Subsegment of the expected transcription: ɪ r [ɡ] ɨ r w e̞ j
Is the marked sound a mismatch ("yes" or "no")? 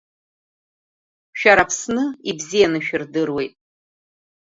yes